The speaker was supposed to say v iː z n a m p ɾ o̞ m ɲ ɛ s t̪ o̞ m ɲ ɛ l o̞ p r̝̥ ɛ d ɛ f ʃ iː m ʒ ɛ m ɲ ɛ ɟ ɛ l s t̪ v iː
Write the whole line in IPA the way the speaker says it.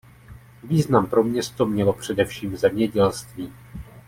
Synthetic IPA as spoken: v iː z n a m p ɾ o̞ m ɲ ɛ s t̪ o̞ m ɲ ɛ l o̞ p r̝̥ ɛ d ɛ f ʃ iː m z ɛ m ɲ ɛ ɟ ɛ l s t̪ v iː